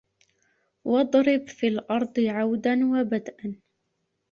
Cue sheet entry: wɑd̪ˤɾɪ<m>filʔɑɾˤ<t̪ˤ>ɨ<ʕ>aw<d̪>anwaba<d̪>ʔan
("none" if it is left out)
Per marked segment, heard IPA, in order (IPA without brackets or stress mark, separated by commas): b, d̪ˤ, ʕ, d̪, d̪